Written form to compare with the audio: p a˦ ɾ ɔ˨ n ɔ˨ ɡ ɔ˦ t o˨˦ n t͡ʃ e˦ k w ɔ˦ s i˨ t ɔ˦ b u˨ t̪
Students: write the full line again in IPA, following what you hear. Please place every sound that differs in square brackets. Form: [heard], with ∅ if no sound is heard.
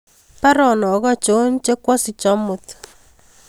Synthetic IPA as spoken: p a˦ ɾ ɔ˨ n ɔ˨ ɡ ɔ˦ [t͡ʃ] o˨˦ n t͡ʃ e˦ k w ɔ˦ s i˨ [t͡ʃ] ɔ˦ [m] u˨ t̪